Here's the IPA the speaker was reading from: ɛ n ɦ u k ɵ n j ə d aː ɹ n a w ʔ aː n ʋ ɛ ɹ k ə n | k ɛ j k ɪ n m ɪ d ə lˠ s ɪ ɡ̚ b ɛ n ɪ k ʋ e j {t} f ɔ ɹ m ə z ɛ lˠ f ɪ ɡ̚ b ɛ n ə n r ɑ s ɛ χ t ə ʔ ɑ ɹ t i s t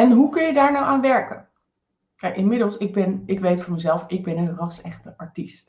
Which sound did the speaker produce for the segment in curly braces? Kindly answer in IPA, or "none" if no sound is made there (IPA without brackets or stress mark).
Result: t